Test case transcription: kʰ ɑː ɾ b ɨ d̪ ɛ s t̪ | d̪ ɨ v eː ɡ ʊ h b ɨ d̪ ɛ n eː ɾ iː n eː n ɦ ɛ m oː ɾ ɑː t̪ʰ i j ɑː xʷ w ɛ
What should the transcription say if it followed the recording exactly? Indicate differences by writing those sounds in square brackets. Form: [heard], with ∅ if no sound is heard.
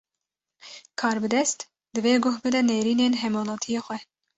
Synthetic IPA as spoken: kʰ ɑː ɾ b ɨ d̪ ɛ s t̪ | d̪ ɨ v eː ɡ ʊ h b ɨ d̪ ɛ n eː ɾ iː n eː n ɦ ɛ m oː [l] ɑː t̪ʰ i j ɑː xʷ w ɛ

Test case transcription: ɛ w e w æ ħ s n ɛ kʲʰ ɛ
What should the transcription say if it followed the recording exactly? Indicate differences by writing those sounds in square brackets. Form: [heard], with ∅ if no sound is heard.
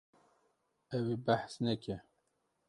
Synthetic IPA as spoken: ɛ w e [b] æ ħ s n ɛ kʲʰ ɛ

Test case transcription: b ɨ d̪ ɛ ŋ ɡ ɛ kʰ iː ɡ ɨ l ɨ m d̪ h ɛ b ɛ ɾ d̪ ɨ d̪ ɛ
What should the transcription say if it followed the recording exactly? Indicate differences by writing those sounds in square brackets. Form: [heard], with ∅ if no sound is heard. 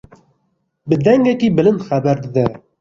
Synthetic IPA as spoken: b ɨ d̪ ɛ ŋ ɡ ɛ [k] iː [b] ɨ l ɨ [n] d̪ [x] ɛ b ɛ ɾ d̪ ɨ d̪ ɛ

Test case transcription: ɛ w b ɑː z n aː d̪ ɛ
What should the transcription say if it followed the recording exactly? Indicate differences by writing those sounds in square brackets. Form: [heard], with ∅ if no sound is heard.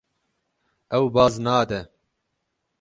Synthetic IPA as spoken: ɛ w b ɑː z n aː d̪ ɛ

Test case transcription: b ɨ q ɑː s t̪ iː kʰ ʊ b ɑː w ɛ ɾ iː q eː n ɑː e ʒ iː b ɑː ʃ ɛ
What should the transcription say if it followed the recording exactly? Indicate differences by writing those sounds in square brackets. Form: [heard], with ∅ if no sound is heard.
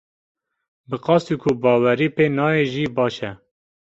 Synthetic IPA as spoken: b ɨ q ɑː s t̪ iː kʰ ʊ b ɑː w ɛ ɾ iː [p] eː n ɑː e ʒ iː b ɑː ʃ ɛ

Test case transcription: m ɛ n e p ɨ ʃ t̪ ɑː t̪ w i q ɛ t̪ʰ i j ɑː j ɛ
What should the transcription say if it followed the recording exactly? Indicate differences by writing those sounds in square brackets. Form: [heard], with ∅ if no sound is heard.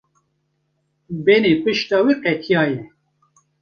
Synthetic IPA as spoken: [b] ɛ n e p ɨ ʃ t̪ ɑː [∅] w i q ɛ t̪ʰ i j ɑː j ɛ

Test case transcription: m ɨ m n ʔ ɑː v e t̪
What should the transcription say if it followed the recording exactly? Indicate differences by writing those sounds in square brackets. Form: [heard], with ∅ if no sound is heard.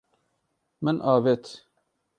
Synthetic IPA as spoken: m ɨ [∅] n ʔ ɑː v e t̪

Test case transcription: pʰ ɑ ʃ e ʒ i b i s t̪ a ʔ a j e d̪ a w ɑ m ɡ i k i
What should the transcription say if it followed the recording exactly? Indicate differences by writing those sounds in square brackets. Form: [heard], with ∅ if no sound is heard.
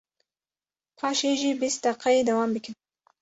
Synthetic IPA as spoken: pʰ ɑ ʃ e ʒ i b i s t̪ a [q] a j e d̪ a w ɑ m [b] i k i

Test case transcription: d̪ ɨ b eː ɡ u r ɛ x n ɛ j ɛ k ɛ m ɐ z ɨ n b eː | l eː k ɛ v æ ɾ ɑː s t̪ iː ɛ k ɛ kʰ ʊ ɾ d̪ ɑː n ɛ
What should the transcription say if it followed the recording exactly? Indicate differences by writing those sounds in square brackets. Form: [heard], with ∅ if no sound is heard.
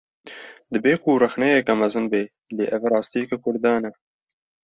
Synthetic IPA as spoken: d̪ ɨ b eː [k] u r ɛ x n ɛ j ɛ k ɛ m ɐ z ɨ n b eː | l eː [ʔ] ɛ v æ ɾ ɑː s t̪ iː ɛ k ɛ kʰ ʊ ɾ d̪ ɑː n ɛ

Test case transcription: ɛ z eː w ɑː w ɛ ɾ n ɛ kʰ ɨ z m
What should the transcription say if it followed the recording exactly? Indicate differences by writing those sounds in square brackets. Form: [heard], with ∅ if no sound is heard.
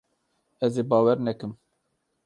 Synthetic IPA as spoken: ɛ z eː [b] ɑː w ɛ ɾ n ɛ [k] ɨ [∅] m

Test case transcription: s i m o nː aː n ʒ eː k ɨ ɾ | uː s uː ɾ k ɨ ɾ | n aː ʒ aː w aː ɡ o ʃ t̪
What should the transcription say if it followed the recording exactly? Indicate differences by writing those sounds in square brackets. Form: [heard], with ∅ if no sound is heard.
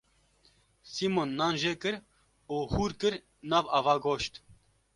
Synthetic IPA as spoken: s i m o nː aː n ʒ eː k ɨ ɾ | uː [h] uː ɾ k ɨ ɾ | n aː [v] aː [v] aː ɡ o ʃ t̪

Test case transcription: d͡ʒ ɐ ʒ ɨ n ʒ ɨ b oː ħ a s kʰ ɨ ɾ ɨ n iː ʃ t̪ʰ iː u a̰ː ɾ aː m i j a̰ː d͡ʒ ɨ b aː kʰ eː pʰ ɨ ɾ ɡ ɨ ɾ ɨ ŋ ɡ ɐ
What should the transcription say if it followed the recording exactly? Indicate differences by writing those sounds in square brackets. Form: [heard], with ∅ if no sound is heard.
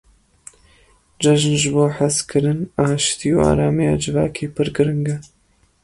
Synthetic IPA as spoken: d͡ʒ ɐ ʒ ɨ n ʒ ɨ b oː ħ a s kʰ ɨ ɾ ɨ n [aː] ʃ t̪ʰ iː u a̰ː ɾ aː m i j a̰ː d͡ʒ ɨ [v] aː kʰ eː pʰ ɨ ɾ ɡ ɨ ɾ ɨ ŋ ɡ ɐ

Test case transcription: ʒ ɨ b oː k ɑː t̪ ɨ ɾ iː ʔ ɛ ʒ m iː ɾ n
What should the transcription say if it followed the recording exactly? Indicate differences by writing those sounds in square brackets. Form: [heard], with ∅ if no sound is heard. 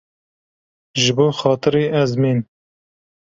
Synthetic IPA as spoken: ʒ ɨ b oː [x] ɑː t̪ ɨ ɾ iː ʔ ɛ [z] m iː [∅] n

